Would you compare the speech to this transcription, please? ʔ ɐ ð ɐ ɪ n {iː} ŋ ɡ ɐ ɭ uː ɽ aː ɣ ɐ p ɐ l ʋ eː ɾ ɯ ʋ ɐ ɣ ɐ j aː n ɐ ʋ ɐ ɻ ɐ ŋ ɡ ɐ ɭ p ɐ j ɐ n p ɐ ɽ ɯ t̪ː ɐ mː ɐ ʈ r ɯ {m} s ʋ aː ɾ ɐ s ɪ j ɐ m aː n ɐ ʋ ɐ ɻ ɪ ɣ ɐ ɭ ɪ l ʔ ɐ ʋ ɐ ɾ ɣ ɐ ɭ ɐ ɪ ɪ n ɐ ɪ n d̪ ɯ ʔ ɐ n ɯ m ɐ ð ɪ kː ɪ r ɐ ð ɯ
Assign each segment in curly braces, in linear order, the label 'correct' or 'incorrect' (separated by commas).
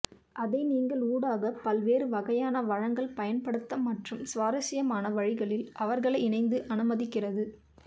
correct, correct